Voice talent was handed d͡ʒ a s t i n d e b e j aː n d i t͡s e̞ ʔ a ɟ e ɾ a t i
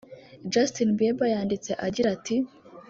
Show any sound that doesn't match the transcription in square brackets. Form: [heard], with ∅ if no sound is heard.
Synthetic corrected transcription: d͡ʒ a s t i n [b] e b [a] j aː n d i t͡s e̞ ʔ a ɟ [i] ɾ a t i